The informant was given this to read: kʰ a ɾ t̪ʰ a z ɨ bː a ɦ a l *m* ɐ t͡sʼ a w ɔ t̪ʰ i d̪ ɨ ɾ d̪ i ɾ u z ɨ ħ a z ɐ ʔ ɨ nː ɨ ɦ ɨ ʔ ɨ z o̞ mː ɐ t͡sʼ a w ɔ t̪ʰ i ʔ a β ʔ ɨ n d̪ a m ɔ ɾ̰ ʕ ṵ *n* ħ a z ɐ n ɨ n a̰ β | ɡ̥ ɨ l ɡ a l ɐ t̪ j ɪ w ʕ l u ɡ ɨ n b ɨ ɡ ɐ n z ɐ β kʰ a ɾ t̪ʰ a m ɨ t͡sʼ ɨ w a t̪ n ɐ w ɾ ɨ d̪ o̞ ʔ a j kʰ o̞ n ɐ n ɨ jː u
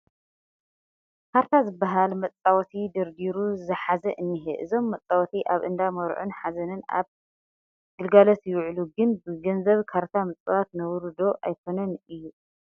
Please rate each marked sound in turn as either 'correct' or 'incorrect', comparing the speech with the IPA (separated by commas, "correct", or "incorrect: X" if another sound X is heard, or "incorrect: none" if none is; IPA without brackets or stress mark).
correct, correct